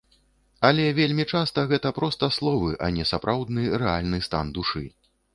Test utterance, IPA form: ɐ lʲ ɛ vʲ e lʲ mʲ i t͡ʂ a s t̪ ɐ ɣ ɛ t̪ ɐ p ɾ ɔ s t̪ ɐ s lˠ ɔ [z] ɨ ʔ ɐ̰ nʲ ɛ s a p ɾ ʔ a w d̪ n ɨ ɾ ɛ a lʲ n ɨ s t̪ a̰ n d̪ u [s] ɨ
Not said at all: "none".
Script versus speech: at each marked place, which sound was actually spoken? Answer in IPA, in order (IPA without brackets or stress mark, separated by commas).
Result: v, ʂ